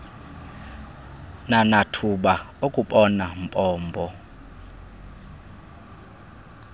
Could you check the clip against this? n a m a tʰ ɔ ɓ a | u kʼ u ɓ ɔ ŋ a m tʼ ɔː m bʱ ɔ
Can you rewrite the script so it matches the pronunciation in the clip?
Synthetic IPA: n a n a tʰ u ɓ a | o kʼ u ɓ ɔ n a m pʼ ɔː m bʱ ɔ